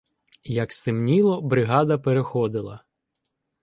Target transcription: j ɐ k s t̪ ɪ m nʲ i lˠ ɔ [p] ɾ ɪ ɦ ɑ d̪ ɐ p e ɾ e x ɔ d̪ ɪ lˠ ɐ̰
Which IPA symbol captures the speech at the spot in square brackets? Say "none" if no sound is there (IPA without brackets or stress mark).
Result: b